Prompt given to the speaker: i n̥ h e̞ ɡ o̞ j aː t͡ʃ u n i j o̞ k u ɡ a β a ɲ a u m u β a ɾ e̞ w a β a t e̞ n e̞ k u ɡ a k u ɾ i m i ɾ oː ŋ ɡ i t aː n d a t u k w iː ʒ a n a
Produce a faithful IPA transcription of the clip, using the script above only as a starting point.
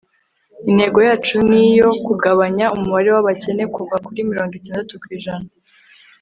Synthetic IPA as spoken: i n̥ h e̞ ɡ o̞ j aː t͡ʃ u n i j o̞ k u ɡ a β a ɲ a u m u β a ɾ e̞ w a β a c e̞ n e̞ k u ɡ a k u ɾ i m i ɾ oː ŋ ɡ i t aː n d a t u k w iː ʒ a n a